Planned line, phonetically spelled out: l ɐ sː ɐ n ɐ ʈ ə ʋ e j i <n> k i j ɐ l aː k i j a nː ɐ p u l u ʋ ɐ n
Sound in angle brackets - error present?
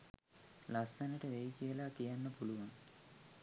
yes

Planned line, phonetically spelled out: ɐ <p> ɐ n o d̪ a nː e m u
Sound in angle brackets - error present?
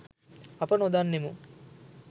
no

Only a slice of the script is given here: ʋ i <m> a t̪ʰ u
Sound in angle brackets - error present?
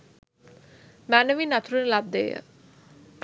yes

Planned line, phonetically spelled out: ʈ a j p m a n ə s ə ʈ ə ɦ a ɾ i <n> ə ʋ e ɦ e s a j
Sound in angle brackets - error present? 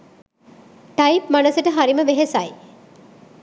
yes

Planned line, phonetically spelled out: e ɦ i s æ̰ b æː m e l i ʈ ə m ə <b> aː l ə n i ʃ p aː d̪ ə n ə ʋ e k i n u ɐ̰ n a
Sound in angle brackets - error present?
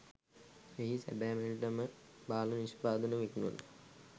no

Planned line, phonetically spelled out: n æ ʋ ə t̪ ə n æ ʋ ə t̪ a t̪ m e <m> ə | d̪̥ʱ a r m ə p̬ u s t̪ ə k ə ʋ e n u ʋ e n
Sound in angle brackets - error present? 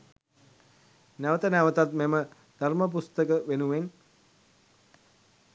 no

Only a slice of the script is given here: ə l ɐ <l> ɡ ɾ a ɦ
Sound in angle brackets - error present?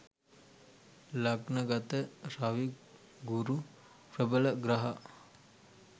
yes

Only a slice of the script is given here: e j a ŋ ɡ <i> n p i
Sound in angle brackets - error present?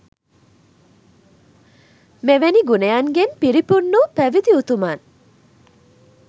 yes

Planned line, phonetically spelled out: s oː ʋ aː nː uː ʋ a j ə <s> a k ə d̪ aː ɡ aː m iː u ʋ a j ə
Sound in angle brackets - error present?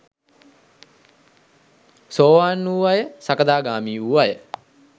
no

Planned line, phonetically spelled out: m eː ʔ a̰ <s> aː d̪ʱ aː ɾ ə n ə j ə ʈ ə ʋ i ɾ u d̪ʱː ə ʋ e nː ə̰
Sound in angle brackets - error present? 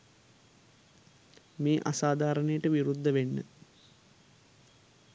no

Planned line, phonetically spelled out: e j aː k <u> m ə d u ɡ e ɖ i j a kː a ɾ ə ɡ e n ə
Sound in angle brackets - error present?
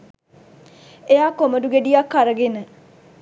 yes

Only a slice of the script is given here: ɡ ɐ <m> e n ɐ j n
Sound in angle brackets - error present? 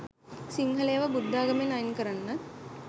no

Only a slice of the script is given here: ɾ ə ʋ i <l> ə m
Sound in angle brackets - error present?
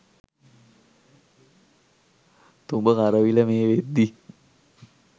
no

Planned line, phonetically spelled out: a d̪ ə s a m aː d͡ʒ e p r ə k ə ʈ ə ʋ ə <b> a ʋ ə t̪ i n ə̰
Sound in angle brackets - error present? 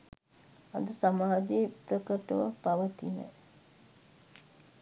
yes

